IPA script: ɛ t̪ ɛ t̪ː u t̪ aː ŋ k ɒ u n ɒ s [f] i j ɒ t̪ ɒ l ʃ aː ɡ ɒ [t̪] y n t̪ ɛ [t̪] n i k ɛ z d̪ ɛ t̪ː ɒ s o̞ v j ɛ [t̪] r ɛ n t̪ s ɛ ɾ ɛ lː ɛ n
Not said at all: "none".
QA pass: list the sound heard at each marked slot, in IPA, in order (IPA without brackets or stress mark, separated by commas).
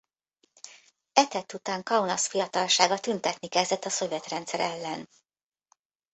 f, t̪, t̪, t̪